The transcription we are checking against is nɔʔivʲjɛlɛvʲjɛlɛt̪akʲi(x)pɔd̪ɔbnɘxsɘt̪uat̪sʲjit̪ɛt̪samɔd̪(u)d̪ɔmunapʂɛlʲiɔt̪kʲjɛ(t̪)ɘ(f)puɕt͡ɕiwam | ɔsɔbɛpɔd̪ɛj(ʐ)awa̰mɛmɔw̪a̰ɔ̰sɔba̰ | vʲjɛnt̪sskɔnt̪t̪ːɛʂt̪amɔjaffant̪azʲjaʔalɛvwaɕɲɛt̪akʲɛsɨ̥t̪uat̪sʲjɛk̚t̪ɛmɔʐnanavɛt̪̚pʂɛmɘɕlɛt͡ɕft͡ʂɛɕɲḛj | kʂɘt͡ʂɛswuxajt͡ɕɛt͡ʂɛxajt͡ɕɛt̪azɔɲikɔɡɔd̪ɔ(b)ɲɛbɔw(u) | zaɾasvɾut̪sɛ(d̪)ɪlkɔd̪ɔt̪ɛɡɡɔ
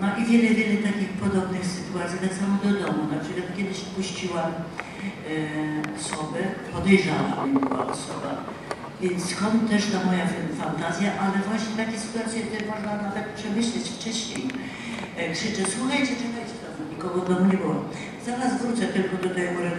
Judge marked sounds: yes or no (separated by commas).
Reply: yes, no, no, no, yes, no, no, no